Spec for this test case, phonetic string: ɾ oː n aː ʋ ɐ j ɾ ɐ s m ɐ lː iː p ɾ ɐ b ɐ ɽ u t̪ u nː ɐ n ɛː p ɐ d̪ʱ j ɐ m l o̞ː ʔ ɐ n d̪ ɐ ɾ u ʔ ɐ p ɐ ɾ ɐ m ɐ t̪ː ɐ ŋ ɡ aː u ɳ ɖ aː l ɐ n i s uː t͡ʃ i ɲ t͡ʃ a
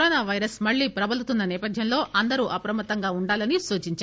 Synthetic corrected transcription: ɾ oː n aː ʋ ɐ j ɾ ɐ s m ɐ ɭː iː p ɾ ɐ b ɐ l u t̪ u nː ɐ n ɛː p ɐ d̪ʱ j ɐ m l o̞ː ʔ ɐ n d̪ ɐ ɾ u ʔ ɐ p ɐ ɾ ɐ m ɐ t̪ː ɐ ŋ ɡ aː u ɳ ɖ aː l ɐ n i s uː t͡ʃ i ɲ t͡ʃ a

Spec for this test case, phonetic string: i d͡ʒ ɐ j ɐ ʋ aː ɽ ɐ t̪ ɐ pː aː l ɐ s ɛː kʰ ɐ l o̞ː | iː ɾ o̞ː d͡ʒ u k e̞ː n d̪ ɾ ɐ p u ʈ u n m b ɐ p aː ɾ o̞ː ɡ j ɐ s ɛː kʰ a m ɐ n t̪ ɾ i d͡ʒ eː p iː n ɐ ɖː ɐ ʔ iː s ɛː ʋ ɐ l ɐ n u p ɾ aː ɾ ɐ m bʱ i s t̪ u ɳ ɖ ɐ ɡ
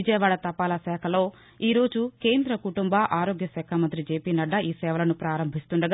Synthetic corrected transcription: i d͡ʒ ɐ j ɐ ʋ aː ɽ ɐ t̪ ɐ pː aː l ɐ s ɛː kʰ ɐ l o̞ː | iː ɾ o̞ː d͡ʒ u k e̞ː n d̪ ɾ ɐ k u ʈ u m b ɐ ʔ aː ɾ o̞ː ɡ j ɐ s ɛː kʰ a m ɐ n t̪ ɾ i d͡ʒ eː p iː n ɐ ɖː ɐ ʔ iː s ɛː ʋ ɐ l ɐ n u p ɾ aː ɾ ɐ m bʱ i s t̪ u ɳ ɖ ɐ ɡ

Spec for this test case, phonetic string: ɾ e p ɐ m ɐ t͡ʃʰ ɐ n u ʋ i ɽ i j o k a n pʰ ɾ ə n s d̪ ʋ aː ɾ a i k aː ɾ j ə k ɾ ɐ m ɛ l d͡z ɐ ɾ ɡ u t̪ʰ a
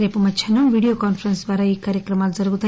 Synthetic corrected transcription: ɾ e p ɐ m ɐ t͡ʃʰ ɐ n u ʋ i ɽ i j o k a n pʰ ɾ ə n s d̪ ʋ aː ɾ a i k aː ɾ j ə k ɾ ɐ m a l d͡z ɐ ɾ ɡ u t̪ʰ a

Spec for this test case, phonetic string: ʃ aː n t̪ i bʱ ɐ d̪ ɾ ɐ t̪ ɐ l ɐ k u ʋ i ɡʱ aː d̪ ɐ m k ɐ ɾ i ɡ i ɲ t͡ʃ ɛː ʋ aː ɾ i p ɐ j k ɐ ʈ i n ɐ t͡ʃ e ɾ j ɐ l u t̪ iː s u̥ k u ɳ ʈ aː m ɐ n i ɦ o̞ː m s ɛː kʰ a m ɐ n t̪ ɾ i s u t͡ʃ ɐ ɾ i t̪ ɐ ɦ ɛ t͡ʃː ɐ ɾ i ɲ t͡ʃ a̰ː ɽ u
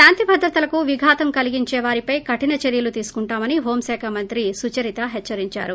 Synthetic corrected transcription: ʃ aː n t̪ i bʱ ɐ d̪ ɾ ɐ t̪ ɐ l ɐ k u ʋ i ɡʱ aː t̪ ɐ m k ɐ l i ɡ i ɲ t͡ʃ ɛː ʋ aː ɾ i p ɐ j k ɐ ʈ i n ɐ t͡ʃ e ɾ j ɐ l u t̪ iː s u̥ k u ɳ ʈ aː m ɐ n i ɦ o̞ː m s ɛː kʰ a m ɐ n t̪ ɾ i s u t͡ʃ ɐ ɾ i t̪ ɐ ɦ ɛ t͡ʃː ɐ ɾ i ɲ t͡ʃ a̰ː ɾ u

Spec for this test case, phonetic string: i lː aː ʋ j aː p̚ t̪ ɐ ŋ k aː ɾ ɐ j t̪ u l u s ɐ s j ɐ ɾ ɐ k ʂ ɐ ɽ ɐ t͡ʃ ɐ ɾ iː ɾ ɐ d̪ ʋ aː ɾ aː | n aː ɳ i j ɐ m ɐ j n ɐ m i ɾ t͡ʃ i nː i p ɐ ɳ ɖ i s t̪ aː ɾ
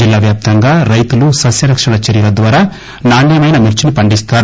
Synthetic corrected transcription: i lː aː ʋ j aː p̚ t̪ ɐ ŋ ɡ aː ɾ ɐ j t̪ u l u s ɐ s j ɐ ɾ ɐ k ʂ ɐ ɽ ɐ t͡ʃ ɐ ɾ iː ɾ ɐ d̪ ʋ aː ɾ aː | n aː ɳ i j ɐ m ɐ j n ɐ m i ɾ t͡ʃ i n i p ɐ ɳ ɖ i s t̪ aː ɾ

